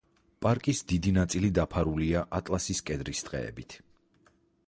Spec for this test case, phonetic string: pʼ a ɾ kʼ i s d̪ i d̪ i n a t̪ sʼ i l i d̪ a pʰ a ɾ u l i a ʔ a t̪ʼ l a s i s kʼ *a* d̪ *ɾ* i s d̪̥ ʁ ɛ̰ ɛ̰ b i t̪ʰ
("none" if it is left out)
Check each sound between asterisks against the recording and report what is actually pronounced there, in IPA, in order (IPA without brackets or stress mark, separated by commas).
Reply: ɛ, ɾ